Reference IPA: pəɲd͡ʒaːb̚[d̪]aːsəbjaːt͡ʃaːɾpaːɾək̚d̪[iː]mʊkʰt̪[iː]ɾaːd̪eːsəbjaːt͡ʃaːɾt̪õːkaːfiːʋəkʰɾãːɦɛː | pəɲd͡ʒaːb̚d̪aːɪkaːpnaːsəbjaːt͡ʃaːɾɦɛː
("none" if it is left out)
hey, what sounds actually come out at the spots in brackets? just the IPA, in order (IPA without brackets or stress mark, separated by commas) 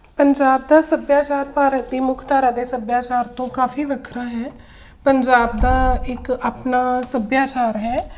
d̪, iː, aː